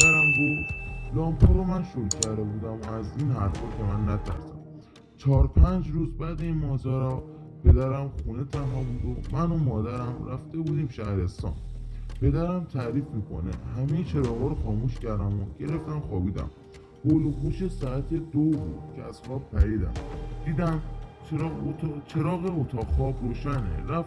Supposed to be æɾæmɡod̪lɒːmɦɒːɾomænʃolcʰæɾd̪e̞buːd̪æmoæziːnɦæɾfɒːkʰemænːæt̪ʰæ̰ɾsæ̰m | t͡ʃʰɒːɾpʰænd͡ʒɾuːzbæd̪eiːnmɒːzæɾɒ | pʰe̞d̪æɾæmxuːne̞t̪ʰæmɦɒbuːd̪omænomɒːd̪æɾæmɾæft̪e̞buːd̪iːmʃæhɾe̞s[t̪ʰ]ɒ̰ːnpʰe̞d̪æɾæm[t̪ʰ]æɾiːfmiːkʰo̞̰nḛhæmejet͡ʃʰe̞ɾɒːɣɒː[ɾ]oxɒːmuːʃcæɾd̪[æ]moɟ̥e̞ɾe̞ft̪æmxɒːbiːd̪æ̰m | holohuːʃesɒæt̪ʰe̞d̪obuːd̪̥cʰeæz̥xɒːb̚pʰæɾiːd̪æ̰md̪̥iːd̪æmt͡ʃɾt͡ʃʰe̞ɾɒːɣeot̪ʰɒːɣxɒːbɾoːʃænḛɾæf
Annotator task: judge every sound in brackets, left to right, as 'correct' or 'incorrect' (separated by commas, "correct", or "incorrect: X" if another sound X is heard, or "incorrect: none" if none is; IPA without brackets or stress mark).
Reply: incorrect: t̪, correct, correct, correct